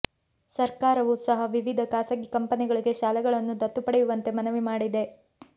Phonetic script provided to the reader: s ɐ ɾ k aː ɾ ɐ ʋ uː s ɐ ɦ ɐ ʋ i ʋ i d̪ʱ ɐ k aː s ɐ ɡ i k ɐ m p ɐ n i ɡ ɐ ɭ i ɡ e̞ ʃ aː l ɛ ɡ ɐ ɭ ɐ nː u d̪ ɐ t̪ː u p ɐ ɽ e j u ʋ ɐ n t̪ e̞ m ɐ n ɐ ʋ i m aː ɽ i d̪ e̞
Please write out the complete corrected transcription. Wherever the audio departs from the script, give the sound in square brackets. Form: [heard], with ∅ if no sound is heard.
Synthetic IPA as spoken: s ɐ ɾ k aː ɾ ɐ ʋ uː s ɐ ɦ ɐ ʋ i ʋ i d̪ʱ ɐ k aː s ɐ ɡ i k ɐ m p ɐ n i ɡ ɐ ɭ i ɡ e̞ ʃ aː l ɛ ɡ ɐ ɭ ɐ nː u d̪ ɐ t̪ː u p ɐ ɽ e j u ʋ ɐ n t̪ e̞ m ɐ n ɐ ʋ i m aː ɽ i d̪ e̞